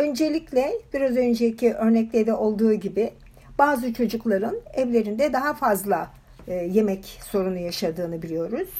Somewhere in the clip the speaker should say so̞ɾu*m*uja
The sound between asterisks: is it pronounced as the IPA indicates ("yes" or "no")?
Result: no